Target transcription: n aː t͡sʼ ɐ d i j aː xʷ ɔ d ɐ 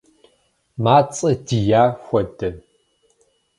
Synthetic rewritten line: m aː t͡sʼ ɐ d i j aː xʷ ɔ d ɐ